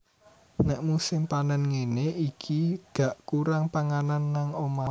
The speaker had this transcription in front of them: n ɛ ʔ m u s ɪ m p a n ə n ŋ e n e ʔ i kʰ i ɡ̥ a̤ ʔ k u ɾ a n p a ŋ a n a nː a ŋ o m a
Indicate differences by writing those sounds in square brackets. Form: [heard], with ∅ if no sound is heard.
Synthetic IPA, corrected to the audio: n ɛ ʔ m u s ɪ m p a n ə n ŋ e n e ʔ i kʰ i ɡ̥ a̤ ʔ k u ɾ a [ŋ] p a ŋ a n a nː a ŋ o m a